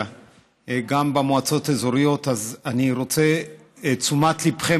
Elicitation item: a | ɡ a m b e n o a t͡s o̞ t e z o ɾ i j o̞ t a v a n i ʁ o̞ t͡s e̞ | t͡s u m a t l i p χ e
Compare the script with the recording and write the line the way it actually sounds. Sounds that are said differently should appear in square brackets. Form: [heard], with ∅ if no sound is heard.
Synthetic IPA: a | ɡ a m b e [m] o a t͡s o̞ t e z o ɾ i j o̞ t a [z] a n i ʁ o̞ t͡s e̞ | t͡s u m a t l i p χ e